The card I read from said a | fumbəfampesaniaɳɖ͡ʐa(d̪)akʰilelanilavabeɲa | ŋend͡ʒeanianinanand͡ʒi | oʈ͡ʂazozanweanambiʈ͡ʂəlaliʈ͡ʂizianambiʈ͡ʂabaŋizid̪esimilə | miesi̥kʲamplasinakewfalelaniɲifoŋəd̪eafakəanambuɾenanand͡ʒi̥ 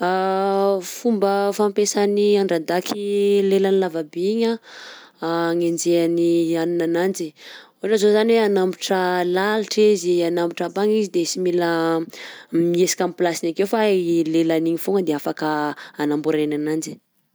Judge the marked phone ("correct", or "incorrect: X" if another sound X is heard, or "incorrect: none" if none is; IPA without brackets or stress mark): correct